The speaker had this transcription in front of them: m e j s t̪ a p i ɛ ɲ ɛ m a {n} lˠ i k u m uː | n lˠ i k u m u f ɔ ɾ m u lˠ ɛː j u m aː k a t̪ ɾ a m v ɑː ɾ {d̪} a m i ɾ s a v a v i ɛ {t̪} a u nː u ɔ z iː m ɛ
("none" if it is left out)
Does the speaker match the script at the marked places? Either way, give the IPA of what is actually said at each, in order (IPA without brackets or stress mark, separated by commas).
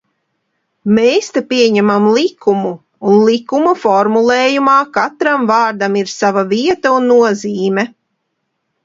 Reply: m, d̪, t̪